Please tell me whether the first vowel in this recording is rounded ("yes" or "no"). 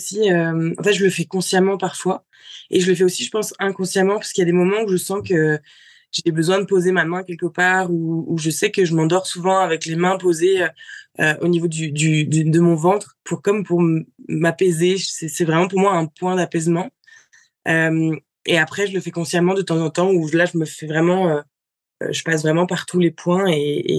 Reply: no